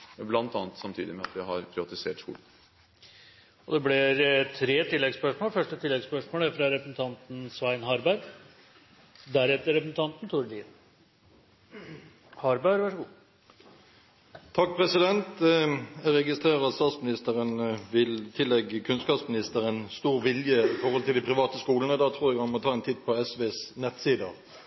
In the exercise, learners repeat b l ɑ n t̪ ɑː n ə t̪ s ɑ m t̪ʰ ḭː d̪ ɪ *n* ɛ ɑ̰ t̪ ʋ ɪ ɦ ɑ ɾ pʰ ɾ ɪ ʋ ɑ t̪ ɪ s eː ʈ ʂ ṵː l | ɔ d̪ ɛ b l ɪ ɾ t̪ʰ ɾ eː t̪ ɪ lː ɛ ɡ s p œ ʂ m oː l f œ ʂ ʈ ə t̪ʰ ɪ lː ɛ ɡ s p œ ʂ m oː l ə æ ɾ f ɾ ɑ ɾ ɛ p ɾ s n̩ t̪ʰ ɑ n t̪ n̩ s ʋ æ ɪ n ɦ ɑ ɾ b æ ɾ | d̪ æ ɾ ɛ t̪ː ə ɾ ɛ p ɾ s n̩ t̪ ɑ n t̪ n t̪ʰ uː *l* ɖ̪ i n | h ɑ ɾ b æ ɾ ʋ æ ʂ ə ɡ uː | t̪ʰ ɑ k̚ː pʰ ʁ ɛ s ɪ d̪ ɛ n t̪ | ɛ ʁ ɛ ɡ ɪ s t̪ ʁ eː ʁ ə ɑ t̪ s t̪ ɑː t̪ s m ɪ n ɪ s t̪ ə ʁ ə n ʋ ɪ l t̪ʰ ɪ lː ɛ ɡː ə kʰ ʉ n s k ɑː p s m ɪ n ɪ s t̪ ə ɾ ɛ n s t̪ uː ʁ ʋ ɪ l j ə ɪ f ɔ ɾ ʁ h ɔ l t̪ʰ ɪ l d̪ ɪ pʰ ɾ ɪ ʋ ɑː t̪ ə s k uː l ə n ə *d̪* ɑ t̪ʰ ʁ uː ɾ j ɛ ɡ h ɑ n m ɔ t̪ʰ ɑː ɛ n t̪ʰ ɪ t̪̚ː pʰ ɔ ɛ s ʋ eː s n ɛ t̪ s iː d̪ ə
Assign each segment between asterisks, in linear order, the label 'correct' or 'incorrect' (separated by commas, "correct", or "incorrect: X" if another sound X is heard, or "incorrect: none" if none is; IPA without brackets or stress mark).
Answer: incorrect: m, incorrect: ɾ, correct